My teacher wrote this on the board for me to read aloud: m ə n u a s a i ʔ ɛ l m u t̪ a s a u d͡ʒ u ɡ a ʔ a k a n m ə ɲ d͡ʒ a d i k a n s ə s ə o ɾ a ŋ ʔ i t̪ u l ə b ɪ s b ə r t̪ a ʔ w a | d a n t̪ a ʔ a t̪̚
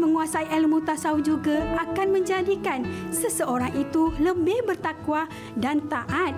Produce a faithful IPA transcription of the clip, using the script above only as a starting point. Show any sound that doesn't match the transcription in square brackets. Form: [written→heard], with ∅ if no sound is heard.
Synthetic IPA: m ə [n→ŋ] u a s a i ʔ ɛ l m u t̪ a s a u d͡ʒ u ɡ a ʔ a k a n m ə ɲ d͡ʒ a d i k a n s ə s ə o ɾ a ŋ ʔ i t̪ u l ə b ɪ [s→h] b ə r t̪ a [ʔ→k] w a | d a n t̪ a ʔ a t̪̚